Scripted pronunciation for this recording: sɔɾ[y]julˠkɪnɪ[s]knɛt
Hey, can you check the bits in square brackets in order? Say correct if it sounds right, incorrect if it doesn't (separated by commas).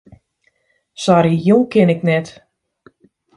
incorrect, incorrect